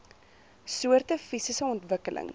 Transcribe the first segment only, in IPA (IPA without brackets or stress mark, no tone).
s